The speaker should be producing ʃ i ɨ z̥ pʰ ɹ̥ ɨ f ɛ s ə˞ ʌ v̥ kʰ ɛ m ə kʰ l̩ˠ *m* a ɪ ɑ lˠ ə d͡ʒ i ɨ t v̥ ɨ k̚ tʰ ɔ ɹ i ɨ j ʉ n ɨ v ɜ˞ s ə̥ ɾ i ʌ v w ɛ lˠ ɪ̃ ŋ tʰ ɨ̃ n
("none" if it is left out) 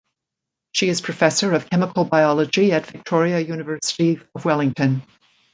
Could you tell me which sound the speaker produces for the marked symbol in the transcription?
b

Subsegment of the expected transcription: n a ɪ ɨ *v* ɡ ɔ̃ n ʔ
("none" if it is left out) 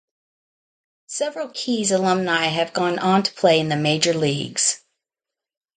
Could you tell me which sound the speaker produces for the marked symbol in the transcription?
v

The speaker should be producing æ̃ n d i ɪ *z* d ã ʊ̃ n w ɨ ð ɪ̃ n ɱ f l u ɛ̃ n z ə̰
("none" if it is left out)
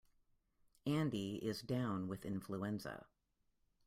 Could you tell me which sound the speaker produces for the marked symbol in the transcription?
z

